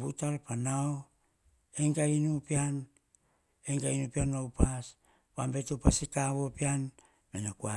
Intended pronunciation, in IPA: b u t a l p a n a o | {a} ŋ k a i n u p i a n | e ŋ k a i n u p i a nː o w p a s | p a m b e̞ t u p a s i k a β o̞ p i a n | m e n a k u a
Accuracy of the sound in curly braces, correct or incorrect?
incorrect